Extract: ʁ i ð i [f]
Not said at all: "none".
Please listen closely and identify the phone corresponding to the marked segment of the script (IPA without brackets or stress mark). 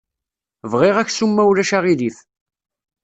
θ